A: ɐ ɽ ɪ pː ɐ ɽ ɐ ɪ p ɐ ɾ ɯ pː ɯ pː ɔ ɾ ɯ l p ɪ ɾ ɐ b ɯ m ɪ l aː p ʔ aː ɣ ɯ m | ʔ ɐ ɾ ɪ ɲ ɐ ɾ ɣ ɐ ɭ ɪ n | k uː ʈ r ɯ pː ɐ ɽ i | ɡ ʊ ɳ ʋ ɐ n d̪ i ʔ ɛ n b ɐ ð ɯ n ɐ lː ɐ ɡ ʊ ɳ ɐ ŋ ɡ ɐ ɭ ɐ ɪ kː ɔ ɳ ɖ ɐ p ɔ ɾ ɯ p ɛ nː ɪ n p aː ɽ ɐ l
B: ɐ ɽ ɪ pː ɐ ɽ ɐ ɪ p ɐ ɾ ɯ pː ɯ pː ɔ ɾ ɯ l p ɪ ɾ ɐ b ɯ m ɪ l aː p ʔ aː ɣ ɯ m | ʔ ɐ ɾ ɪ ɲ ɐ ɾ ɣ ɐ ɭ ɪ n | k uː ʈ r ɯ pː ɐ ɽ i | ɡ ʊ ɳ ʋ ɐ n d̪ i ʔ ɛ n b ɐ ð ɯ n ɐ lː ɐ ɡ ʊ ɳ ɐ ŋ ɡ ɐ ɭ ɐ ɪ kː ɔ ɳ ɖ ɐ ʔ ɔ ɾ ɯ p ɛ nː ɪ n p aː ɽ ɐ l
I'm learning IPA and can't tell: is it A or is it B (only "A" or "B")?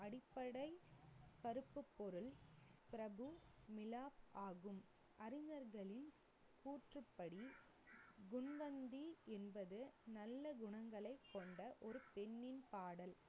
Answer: B